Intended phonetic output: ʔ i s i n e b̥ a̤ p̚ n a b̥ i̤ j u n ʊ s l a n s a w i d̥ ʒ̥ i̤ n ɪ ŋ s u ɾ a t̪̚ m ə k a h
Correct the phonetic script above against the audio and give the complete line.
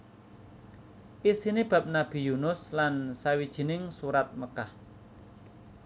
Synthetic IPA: ʔ i s i n i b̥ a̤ p̚ n a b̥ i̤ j u n ʊ s l a n s a w i d̥ ʒ̥ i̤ n ɪ ŋ s u ɾ a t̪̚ m ə k a h